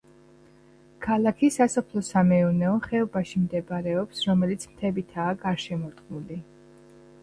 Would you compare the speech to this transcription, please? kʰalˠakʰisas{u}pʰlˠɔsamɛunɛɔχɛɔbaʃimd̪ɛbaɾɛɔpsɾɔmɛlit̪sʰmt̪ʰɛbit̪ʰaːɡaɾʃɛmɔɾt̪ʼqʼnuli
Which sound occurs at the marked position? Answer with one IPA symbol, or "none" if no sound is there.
ɔ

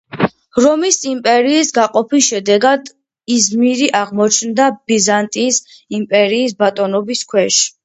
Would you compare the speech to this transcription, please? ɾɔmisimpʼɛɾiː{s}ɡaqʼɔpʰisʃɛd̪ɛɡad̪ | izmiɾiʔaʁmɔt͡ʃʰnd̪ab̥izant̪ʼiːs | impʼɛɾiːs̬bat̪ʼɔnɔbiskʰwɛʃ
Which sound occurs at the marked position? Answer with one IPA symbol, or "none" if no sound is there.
s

